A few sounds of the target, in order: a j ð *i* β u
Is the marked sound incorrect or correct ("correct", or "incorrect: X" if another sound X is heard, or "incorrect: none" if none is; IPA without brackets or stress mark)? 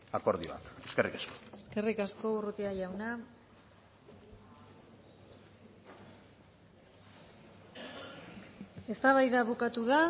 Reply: incorrect: a